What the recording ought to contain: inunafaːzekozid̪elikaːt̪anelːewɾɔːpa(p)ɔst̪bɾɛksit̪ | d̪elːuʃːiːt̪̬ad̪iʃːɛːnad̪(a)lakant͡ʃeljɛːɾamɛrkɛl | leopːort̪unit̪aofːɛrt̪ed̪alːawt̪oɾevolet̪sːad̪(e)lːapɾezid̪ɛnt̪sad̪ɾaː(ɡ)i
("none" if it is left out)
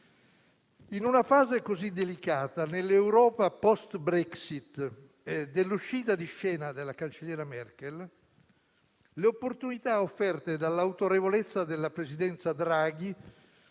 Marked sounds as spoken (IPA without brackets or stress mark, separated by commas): p, e, e, ɡ